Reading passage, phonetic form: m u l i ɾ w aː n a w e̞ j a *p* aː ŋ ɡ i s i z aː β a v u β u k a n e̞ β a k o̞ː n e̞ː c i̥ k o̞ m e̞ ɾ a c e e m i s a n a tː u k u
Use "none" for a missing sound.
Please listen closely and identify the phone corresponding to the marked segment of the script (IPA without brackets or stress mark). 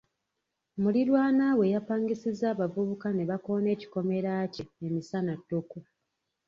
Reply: p